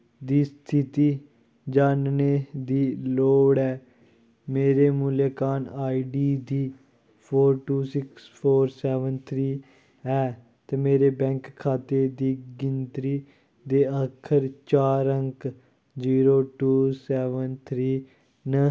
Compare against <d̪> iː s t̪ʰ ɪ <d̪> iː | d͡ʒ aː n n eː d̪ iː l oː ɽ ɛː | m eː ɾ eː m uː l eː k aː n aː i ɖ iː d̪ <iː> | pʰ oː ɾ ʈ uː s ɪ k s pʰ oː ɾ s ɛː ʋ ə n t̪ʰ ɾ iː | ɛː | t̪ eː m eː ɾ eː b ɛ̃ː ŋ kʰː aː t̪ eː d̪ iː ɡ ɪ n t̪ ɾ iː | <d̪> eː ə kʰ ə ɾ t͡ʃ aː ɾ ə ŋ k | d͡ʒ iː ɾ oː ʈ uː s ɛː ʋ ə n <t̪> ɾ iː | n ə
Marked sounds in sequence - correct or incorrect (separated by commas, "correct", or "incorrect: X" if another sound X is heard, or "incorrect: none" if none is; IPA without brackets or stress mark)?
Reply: correct, incorrect: t̪, correct, correct, incorrect: t̪ʰ